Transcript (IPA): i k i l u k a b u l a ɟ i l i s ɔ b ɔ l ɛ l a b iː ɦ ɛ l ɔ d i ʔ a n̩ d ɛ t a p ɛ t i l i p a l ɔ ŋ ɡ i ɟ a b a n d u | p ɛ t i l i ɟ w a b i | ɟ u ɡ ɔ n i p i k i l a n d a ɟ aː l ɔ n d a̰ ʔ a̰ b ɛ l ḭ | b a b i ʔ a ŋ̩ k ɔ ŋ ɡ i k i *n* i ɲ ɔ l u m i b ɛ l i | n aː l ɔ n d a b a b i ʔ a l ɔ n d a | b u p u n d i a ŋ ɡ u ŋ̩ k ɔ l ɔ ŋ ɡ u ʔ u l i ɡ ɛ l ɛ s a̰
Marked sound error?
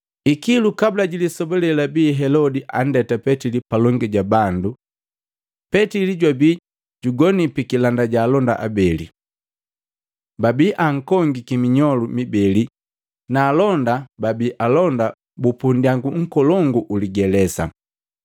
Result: yes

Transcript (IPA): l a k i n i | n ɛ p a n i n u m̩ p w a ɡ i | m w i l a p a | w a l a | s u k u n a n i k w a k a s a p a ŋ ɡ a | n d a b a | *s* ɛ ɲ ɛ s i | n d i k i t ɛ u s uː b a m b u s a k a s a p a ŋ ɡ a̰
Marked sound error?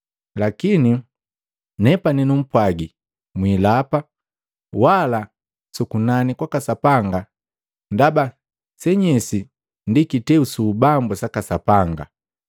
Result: no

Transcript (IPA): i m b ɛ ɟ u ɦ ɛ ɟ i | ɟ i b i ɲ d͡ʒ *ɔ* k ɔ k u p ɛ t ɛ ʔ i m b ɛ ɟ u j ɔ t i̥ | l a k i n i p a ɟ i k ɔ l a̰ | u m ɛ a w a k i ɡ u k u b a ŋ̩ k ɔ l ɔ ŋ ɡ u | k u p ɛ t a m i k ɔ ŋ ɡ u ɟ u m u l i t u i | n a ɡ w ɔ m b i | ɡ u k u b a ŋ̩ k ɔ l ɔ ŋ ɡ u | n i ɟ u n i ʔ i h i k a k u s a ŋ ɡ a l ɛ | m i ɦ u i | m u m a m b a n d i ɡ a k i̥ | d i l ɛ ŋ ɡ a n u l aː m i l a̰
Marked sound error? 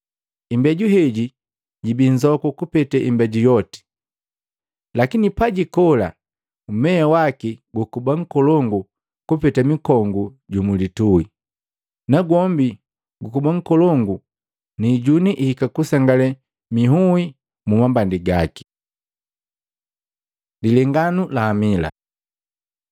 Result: no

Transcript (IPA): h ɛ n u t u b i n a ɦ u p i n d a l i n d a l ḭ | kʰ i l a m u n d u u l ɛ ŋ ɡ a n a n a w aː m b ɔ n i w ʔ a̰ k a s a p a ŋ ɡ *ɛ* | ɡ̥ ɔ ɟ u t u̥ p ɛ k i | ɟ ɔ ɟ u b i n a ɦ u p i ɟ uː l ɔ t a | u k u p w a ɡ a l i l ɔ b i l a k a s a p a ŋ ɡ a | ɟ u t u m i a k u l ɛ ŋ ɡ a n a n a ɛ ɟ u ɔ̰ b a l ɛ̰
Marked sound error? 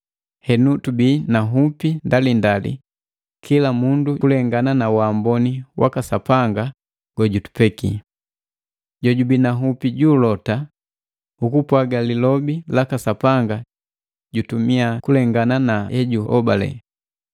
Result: yes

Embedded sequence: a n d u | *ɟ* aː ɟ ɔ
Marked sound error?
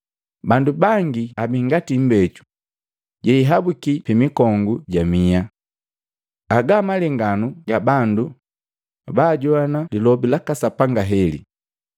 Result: yes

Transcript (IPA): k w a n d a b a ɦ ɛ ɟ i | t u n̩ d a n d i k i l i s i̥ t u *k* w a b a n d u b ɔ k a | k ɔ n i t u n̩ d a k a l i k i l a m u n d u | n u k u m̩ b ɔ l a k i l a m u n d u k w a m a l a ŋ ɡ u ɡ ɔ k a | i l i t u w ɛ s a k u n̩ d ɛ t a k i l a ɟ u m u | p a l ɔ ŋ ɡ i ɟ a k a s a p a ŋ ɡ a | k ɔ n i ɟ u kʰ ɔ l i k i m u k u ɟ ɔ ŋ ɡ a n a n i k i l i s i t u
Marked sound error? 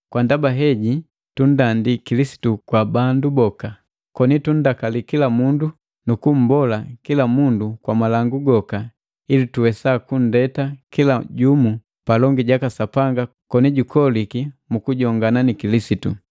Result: no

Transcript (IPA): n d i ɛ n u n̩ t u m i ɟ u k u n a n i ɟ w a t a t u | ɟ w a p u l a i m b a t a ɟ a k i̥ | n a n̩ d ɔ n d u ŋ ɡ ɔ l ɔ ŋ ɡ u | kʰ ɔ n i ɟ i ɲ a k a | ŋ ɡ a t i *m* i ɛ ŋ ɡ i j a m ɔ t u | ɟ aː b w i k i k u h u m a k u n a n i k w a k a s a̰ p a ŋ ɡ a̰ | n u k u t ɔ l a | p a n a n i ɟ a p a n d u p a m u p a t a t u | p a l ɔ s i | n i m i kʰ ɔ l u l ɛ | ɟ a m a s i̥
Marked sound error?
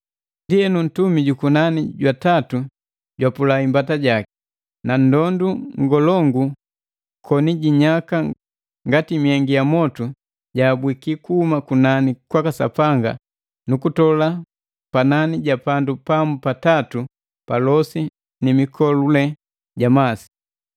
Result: no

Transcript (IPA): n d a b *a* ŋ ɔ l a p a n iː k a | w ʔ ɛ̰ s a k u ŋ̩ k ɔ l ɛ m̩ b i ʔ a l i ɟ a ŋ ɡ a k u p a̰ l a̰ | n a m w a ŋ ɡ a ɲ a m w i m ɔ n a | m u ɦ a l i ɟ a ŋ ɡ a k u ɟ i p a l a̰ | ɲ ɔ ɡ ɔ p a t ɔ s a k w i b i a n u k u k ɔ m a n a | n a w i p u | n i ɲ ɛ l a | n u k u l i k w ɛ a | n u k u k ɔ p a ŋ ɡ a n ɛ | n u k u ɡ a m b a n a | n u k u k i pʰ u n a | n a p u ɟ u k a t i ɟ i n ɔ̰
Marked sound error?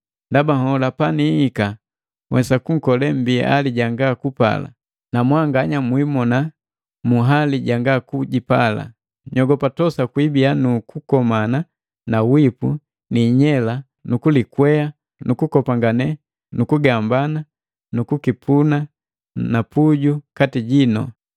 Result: no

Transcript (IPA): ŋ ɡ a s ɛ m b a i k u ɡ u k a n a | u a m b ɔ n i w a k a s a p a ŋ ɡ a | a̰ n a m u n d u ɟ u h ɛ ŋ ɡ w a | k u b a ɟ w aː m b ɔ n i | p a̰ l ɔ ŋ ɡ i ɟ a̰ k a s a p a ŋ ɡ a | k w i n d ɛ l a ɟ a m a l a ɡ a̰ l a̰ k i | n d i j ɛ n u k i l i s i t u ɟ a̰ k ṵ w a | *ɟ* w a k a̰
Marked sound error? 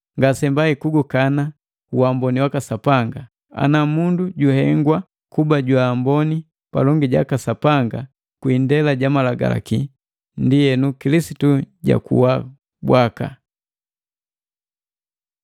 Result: yes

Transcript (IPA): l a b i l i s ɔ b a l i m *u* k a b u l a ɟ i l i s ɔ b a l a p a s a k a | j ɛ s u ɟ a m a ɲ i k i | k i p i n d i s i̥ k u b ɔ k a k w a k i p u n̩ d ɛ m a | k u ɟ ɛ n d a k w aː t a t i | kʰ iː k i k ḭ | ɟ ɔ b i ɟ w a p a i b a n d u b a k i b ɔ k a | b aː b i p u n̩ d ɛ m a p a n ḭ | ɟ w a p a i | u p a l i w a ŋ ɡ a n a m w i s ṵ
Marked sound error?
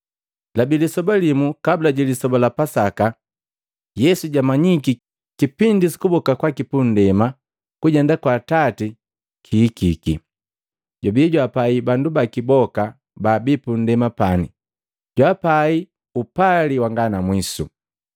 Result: no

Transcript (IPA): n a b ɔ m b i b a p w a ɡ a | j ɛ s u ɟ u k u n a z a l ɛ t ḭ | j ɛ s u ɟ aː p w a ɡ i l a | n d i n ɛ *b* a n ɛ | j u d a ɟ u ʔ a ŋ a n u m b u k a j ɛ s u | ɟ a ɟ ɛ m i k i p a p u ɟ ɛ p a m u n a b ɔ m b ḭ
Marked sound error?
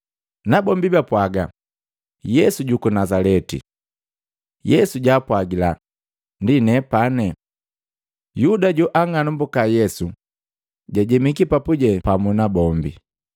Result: yes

